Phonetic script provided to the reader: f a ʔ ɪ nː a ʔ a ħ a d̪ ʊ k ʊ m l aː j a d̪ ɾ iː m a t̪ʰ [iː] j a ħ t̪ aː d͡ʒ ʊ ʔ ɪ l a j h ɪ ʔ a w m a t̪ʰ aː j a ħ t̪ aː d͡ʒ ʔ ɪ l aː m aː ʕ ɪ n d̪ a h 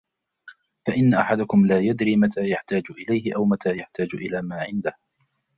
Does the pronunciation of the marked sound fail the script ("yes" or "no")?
yes